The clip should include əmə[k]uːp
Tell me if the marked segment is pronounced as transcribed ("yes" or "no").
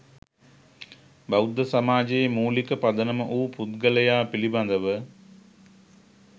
no